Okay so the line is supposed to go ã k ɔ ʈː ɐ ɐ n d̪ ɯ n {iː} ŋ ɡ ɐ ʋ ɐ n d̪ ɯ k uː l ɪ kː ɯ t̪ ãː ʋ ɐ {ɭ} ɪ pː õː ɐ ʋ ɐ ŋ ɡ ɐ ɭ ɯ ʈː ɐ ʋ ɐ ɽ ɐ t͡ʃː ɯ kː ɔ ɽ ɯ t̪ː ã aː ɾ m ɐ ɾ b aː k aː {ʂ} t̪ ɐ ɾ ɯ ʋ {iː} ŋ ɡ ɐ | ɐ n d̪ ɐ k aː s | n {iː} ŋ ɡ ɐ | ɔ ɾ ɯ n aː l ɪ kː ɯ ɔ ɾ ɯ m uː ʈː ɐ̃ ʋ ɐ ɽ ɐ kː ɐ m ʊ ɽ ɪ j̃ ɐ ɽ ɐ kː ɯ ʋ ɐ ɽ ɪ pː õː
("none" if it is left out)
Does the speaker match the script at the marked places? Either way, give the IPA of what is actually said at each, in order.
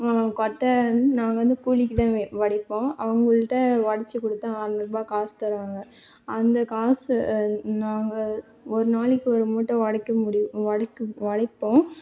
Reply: aː, ɽ, s, aː, aː

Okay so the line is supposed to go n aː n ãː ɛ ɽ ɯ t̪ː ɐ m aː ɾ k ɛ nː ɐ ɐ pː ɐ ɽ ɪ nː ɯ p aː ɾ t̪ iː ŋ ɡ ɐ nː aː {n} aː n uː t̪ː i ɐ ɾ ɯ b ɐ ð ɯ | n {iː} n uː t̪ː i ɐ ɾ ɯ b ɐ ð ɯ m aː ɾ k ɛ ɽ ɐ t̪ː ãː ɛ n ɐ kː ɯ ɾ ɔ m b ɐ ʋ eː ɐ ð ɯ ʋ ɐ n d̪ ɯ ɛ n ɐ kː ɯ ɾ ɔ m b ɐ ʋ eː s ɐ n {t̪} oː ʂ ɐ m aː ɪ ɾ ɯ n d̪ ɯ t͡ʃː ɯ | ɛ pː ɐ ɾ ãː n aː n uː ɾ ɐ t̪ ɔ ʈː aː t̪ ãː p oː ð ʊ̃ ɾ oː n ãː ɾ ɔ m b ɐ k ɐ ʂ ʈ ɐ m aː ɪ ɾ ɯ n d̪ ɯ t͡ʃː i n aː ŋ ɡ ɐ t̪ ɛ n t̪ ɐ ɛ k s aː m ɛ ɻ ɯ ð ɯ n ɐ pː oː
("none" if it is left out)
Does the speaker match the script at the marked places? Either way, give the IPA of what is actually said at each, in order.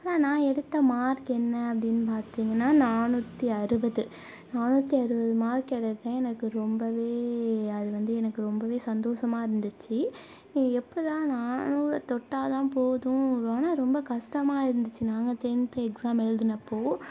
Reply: n, aː, d̪

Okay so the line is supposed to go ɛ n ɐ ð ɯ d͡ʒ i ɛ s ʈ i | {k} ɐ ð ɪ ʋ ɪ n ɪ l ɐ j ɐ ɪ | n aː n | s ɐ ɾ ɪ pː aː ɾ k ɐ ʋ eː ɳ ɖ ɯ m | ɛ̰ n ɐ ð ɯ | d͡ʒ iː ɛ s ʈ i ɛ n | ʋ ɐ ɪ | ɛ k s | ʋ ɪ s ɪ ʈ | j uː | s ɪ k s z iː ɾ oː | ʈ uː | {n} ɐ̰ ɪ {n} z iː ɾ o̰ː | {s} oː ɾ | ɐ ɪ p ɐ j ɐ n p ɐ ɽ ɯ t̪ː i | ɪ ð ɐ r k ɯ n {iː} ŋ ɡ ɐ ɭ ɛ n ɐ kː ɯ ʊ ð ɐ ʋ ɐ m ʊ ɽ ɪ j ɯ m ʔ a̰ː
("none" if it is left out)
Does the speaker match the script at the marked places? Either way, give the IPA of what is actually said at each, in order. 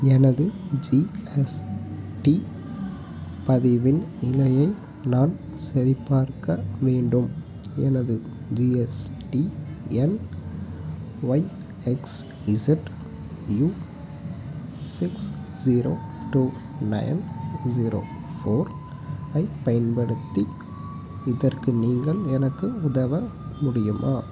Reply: p, n, n, f, iː

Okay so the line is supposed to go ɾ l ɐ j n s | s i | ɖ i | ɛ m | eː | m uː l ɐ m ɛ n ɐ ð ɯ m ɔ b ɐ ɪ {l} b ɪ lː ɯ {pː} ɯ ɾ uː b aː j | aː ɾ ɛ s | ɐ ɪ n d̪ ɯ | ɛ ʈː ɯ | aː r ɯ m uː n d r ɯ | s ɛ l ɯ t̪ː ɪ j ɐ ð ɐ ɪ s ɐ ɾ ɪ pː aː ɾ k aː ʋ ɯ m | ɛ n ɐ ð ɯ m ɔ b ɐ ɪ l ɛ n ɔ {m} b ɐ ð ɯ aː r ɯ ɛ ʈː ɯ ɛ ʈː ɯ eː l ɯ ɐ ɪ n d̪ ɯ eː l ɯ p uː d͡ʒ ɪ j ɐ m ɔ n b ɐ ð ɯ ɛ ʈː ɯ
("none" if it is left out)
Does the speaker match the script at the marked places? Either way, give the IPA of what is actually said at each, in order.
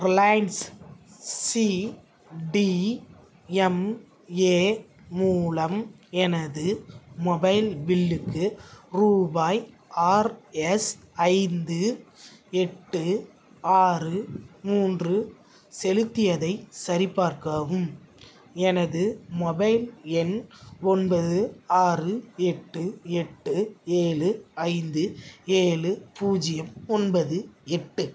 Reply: l, kː, n

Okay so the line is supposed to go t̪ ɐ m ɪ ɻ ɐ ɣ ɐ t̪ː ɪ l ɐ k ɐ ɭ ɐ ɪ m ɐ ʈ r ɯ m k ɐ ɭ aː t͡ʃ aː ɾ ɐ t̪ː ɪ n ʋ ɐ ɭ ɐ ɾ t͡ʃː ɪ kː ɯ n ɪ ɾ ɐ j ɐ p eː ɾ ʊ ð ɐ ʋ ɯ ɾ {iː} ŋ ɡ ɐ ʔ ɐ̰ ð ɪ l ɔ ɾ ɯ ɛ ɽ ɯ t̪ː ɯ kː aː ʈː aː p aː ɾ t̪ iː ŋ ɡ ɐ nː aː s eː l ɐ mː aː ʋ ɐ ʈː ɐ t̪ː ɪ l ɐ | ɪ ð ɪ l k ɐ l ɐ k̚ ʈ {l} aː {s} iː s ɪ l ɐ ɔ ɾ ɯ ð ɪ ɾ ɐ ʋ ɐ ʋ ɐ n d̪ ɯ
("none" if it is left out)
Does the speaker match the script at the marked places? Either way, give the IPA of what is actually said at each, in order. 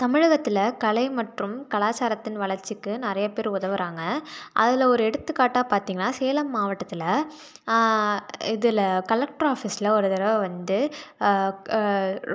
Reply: aː, ɾ, f

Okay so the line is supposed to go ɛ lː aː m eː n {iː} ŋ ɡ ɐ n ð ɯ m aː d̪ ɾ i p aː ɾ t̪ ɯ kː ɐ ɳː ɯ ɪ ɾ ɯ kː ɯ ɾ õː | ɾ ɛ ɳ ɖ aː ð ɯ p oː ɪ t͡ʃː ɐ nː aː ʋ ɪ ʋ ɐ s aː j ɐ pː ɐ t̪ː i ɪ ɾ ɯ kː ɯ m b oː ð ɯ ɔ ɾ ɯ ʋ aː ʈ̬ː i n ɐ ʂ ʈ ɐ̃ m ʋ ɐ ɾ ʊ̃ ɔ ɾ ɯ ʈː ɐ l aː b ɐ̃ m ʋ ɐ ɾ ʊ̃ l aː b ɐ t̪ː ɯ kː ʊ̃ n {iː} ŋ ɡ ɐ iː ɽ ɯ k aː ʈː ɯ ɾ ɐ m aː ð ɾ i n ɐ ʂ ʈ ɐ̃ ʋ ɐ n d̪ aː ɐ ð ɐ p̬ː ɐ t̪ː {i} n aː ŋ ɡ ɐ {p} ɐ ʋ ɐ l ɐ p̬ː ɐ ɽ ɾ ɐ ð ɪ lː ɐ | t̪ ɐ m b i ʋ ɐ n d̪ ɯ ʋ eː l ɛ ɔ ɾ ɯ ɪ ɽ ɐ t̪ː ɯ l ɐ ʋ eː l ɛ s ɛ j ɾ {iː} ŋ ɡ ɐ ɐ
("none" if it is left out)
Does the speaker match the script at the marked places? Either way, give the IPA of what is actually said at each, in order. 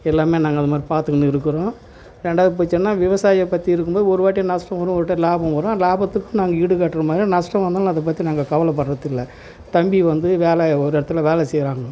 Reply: aː, aː, i, k, aː

